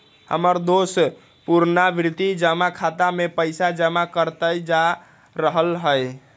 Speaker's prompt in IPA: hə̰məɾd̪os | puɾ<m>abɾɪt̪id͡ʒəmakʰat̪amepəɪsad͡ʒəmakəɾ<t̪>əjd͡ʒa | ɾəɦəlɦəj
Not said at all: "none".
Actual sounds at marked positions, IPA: n, t̪

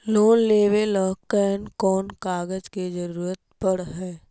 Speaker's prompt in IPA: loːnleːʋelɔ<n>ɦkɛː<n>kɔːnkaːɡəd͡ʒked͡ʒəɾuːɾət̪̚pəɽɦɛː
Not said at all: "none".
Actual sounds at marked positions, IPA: none, n

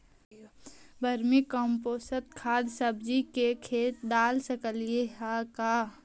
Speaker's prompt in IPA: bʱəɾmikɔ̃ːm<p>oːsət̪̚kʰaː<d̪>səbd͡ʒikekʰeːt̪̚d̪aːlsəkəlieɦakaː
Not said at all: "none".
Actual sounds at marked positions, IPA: p, d̪

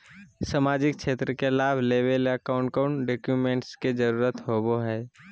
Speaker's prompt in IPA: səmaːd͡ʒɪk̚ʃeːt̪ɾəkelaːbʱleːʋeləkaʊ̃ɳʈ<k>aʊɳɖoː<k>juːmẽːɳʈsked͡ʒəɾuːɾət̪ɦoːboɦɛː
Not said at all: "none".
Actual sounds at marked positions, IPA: k, k

